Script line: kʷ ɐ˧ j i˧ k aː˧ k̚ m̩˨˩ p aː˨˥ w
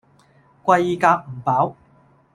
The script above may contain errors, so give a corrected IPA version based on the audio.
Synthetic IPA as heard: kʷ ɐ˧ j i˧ k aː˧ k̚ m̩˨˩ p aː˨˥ w